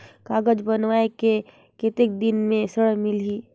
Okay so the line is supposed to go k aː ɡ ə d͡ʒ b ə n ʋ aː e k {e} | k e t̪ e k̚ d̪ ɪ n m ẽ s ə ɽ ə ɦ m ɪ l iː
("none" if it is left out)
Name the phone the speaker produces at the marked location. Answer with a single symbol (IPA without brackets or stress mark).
e